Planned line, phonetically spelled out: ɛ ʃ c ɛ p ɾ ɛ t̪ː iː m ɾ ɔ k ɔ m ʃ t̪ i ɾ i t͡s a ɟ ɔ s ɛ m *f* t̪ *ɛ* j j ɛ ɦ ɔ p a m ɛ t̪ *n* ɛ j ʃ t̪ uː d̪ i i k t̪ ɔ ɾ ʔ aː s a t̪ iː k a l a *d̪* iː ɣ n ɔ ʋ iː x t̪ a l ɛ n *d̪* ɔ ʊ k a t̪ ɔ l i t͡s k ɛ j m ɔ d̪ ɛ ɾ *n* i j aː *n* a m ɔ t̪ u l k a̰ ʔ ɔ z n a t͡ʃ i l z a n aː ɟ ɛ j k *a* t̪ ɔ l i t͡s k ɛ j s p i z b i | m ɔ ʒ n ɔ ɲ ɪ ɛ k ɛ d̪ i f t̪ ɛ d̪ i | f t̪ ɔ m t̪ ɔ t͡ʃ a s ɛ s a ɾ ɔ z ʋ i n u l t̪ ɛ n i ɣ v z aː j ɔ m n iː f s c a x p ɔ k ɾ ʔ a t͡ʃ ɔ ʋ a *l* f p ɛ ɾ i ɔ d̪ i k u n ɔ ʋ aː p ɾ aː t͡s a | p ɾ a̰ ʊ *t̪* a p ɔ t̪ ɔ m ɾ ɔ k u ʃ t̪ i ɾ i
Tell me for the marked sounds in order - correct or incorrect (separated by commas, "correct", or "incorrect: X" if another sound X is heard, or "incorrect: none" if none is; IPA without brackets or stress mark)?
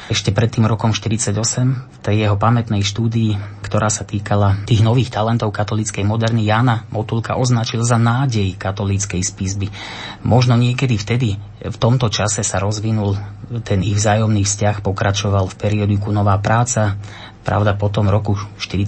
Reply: correct, correct, correct, incorrect: t̪, incorrect: t̪, correct, correct, correct, correct, incorrect: d̪